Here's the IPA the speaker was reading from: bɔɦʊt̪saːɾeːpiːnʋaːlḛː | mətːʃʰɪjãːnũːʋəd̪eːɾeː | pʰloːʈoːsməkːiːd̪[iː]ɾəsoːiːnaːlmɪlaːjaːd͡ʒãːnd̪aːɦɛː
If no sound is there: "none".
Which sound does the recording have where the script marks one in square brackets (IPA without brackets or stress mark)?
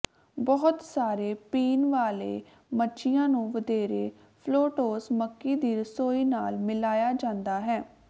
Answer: iː